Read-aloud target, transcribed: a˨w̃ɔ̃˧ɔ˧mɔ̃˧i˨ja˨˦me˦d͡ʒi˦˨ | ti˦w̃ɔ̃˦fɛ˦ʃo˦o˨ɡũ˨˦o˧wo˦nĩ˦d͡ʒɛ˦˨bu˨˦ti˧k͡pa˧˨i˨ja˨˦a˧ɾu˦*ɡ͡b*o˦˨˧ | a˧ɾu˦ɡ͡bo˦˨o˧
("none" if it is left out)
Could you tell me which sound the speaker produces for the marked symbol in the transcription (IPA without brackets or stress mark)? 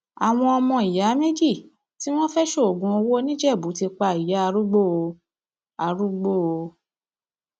ɡ͡b